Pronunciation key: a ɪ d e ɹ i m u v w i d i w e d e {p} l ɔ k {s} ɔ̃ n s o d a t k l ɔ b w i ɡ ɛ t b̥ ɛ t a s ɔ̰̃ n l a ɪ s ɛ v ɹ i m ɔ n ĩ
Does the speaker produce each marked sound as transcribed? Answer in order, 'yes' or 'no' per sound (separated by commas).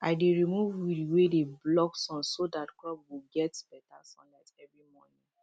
no, yes